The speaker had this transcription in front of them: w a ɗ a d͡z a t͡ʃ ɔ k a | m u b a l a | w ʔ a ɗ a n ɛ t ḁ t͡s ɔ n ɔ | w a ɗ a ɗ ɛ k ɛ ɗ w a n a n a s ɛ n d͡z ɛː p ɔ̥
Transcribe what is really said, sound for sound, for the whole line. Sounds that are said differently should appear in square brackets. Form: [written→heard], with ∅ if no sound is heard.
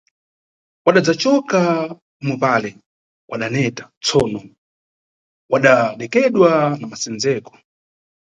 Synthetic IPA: w a ɗ a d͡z a t͡ʃ ɔ k a | m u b a l [a→ɛ] | w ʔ a ɗ a n ɛ t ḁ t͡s ɔ n ɔ | w a ɗ a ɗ ɛ k ɛ ɗ w a n a [n→m] a s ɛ n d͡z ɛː [p→k] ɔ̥